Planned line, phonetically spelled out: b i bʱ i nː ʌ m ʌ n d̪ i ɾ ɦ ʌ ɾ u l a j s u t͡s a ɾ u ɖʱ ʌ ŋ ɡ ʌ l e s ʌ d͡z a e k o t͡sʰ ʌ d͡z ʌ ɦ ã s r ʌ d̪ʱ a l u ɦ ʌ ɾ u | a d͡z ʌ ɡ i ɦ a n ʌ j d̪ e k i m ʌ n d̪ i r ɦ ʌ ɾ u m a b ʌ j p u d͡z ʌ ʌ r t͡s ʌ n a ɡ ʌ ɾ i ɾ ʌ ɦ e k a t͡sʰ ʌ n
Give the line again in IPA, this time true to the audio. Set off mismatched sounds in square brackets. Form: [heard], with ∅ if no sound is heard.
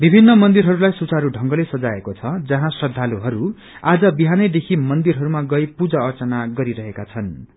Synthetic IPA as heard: b i bʱ i nː ʌ m ʌ n d̪ i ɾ ɦ ʌ ɾ u l a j s u t͡s a ɾ u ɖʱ ʌ ŋ ɡ ʌ l e s ʌ d͡z a e k o t͡sʰ ʌ d͡z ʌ ɦ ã s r ʌ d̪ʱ a l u ɦ ʌ ɾ u | a d͡z ʌ [b] i ɦ a n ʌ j d̪ e [kʰ] i m ʌ n d̪ i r ɦ ʌ ɾ u m a [ɡ] ʌ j p u d͡z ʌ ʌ r t͡s ʌ n a ɡ ʌ ɾ i ɾ ʌ ɦ e k a t͡sʰ ʌ n

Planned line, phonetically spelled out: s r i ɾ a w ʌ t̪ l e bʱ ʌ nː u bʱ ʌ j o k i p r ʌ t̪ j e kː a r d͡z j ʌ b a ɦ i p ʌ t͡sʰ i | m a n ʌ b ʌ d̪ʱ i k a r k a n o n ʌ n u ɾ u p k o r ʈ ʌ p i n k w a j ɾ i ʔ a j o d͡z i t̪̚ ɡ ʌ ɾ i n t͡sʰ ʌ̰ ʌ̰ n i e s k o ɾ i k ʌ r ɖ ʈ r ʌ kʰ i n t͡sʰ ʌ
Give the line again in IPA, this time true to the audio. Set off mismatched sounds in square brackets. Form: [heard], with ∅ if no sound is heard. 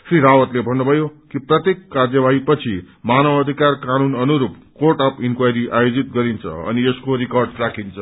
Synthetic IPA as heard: s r i ɾ a w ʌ t̪ l e bʱ ʌ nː u bʱ ʌ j o k i p r ʌ t̪ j e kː a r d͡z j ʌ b a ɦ i p ʌ t͡sʰ i | m a n ʌ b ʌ d̪ʱ i k a r k a n [u] n ʌ n u ɾ u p k o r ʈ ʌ p i n k w a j ɾ i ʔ a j o d͡z i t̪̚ ɡ ʌ ɾ i n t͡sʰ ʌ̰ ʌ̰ n i e s k o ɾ i k ʌ r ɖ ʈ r [a] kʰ i n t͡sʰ ʌ

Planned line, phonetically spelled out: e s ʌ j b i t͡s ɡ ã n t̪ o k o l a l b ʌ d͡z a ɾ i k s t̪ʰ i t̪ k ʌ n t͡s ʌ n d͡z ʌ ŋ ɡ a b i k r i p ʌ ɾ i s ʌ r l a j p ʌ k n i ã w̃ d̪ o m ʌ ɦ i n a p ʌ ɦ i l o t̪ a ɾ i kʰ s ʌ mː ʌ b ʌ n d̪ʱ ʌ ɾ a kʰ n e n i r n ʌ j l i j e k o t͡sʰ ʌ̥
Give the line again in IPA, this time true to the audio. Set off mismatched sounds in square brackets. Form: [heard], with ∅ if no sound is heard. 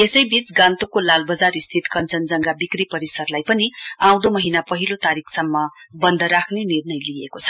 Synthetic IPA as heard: e s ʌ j b i t͡s ɡ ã n t̪ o k o l a l b ʌ d͡z a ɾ i [∅] s t̪ʰ i t̪ k ʌ n t͡s ʌ n d͡z ʌ ŋ ɡ a b i k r i p ʌ ɾ i s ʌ r l a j p ʌ [∅] n i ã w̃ d̪ o m ʌ ɦ i n a p ʌ ɦ i l o t̪ a ɾ i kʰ s ʌ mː ʌ b ʌ n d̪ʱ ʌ ɾ a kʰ n e n i r n ʌ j l i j e k o t͡sʰ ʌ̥

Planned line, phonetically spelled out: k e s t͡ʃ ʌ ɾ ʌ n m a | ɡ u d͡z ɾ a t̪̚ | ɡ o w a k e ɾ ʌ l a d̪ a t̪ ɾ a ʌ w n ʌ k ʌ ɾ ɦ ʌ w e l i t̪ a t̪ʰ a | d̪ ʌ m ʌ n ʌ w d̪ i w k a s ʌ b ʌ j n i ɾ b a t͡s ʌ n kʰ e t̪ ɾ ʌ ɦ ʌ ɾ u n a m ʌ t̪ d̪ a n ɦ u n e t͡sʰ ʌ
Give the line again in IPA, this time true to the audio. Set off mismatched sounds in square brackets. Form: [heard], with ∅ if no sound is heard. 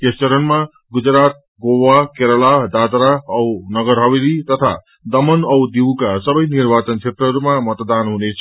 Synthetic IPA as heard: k e s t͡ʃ ʌ ɾ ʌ n m a | ɡ u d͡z ɾ a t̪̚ | ɡ o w a k e ɾ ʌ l a d̪ a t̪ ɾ a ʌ w n ʌ [ɡ] ʌ ɾ ɦ ʌ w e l i t̪ [ʌ] t̪ʰ a | d̪ ʌ m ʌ n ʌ w d̪ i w k a s ʌ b ʌ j n i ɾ b a t͡s ʌ n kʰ e t̪ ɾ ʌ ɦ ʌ ɾ u [m] a m ʌ t̪ d̪ a n ɦ u n e t͡sʰ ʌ

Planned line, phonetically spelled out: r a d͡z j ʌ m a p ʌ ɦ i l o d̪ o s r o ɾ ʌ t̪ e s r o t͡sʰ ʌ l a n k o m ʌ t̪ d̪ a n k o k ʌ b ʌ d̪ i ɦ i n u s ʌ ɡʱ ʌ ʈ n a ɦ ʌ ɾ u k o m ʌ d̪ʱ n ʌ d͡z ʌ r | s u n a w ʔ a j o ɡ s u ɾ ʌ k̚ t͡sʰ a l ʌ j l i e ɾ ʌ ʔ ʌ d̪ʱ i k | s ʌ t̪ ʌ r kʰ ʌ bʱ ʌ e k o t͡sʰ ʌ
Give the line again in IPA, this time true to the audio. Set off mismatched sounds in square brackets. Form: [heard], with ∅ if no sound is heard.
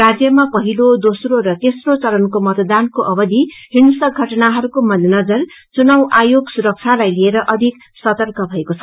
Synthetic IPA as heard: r a d͡z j ʌ m a p ʌ ɦ i l o d̪ o s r o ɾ ʌ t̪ e s r o [t͡s] ʌ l [ʌ] n k o m ʌ t̪ d̪ a n k o [ʔ] ʌ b ʌ d̪ i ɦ i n u s ʌ ɡʱ ʌ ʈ n a ɦ ʌ ɾ u k o m ʌ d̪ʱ n ʌ d͡z ʌ r | [t͡s] u n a w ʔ a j o ɡ s u ɾ ʌ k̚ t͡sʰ a l [a] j l i e ɾ ʌ ʔ ʌ d̪ʱ i k | s ʌ t̪ ʌ r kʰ ʌ bʱ ʌ e k o t͡sʰ ʌ

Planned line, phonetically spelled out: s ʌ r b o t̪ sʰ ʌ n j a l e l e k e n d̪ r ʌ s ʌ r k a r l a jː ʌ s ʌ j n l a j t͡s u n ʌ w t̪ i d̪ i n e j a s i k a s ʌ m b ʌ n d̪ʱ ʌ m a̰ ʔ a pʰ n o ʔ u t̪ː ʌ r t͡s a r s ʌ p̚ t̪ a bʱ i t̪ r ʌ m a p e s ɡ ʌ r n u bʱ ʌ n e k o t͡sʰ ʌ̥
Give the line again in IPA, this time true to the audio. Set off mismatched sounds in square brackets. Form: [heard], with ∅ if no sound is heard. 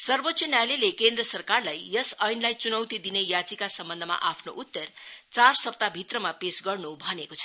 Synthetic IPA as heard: s ʌ r b o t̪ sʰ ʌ n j a l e l e k e n d̪ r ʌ s ʌ r k a r l a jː ʌ s ʌ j n l a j t͡s u n ʌ w t̪ i d̪ i n e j a [t͡s] i k a s ʌ m b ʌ n d̪ʱ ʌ m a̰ ʔ a pʰ n o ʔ u t̪ː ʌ r t͡s a r s ʌ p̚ t̪ a bʱ i t̪ r ʌ m a p e s ɡ ʌ r n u bʱ ʌ n e k o t͡sʰ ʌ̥

